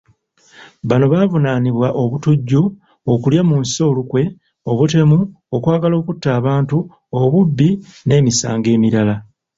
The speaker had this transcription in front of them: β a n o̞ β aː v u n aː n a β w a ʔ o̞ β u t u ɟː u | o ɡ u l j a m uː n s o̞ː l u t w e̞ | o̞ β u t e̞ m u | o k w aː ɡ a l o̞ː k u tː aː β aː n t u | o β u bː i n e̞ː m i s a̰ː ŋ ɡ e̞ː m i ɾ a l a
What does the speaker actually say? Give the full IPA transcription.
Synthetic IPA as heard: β a n o̞ β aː v u n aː n i β w a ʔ o̞ β u t u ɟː u | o k u l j a m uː n s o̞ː l u k w e̞ | o̞ β u t e̞ m u | o k w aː ɡ a l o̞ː k u tː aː β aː n t u | o β u bː i n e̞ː m i s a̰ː ŋ ɡ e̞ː m i ɾ a l a